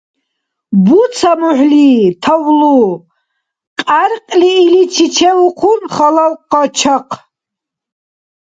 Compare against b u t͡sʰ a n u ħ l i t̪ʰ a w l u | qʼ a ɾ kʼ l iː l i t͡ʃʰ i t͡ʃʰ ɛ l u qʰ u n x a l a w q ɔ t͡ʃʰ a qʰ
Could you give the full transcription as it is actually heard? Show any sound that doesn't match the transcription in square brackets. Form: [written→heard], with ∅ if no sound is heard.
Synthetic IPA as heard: b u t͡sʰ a [n→m] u ħ l i t̪ʰ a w l u | qʼ a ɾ [kʼ→qʼ] l iː l i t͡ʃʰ i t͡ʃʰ ɛ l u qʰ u n [x→χ] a l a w q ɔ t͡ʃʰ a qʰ